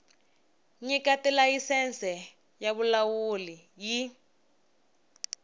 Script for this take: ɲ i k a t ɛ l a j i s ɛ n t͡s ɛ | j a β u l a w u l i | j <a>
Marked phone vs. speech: incorrect: i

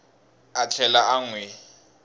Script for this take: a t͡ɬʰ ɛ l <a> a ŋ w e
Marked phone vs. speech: correct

